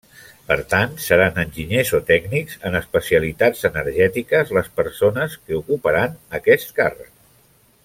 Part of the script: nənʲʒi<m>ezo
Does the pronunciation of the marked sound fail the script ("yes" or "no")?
yes